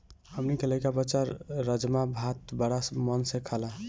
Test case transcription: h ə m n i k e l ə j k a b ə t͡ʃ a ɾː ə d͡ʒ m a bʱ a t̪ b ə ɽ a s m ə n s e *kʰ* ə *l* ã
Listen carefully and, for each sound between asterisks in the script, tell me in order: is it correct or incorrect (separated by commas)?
correct, correct